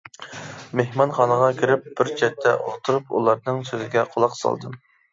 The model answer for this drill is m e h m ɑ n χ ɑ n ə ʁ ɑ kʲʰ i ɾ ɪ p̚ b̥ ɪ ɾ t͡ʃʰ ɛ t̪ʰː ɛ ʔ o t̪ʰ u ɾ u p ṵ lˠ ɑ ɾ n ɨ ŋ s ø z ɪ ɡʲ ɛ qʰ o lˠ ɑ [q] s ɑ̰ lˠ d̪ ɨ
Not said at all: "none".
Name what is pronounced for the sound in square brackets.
q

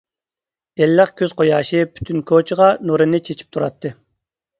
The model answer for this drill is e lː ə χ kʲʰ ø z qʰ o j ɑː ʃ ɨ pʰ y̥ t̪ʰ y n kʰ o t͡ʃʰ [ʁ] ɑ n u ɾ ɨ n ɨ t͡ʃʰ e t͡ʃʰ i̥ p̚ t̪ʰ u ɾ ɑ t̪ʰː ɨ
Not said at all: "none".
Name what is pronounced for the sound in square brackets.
ʁ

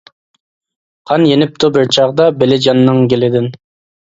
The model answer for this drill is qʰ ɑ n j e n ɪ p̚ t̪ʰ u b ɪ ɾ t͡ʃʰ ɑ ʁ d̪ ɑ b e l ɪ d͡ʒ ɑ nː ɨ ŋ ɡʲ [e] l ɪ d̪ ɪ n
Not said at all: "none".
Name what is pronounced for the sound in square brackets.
e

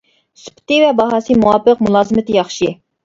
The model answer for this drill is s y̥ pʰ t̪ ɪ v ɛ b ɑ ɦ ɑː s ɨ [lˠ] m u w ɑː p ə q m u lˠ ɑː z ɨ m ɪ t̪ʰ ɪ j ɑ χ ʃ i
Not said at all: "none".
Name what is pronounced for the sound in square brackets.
none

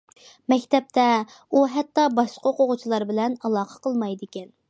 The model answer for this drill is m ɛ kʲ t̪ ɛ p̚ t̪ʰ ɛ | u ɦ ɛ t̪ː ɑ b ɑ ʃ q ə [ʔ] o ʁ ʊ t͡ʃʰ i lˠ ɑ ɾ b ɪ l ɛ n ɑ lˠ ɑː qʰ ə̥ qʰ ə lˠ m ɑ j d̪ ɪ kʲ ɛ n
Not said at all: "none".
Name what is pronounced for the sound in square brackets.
q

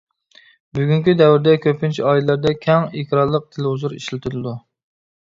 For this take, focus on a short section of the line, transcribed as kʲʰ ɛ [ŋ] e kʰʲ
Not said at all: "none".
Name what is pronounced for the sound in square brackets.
ŋ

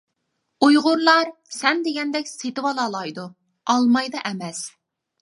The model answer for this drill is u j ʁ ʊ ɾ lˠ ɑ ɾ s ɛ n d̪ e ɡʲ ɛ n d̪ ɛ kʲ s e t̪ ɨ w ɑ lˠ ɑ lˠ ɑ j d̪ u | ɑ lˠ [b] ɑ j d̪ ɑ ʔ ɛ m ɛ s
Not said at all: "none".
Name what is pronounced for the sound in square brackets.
m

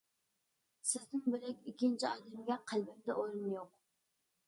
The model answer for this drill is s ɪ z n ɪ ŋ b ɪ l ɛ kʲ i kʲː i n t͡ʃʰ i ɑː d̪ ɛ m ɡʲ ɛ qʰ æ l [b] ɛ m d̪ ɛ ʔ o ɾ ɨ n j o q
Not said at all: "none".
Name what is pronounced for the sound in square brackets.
b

